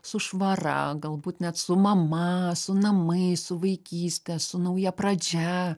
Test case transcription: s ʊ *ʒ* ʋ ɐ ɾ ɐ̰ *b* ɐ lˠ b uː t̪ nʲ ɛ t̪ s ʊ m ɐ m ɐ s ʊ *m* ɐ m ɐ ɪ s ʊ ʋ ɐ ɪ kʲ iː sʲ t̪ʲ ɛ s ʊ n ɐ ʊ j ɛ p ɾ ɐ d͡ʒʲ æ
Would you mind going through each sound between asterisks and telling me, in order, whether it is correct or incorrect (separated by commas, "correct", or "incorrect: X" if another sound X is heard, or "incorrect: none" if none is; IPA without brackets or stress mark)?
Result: incorrect: ʃ, incorrect: ɡ, incorrect: n